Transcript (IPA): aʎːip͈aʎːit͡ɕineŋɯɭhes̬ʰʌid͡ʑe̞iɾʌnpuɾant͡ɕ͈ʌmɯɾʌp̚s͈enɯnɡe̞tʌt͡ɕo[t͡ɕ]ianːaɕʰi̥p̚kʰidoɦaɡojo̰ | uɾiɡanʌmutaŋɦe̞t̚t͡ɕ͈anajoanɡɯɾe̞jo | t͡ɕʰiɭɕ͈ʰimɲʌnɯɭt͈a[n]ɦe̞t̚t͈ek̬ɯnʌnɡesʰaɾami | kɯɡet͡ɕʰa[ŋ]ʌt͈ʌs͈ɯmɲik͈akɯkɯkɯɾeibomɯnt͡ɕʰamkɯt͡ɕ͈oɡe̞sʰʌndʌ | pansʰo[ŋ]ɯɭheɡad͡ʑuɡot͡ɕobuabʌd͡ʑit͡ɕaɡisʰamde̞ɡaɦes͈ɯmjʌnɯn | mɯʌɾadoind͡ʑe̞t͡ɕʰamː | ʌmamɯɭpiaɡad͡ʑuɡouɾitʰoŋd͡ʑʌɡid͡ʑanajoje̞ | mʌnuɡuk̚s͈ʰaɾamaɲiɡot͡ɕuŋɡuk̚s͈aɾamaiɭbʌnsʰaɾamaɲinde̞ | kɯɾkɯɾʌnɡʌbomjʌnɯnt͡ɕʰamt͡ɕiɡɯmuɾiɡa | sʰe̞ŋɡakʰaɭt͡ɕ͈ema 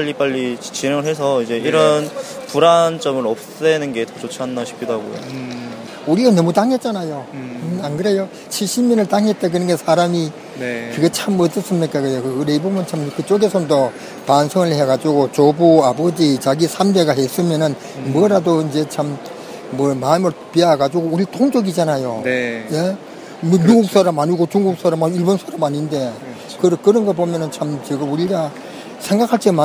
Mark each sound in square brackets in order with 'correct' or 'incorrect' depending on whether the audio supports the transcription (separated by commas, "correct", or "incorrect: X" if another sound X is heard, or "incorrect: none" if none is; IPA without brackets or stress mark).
incorrect: t͡ɕʰ, incorrect: ŋ, incorrect: m, correct